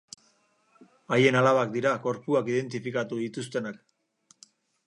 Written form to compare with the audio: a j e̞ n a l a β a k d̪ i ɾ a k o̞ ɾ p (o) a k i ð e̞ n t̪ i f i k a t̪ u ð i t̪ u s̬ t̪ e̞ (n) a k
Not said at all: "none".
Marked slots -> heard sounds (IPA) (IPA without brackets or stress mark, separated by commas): u, n